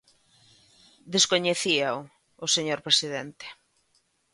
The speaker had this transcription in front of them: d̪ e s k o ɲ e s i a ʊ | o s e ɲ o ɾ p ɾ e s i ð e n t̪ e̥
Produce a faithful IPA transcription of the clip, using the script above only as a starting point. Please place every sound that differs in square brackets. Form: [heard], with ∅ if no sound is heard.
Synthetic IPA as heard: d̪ e s k o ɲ e [θ] i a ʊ | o s e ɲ o ɾ p ɾ e s i ð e n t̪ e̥